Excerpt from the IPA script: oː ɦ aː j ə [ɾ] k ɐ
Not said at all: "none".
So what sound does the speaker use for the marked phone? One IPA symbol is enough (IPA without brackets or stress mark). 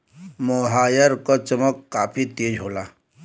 ɾ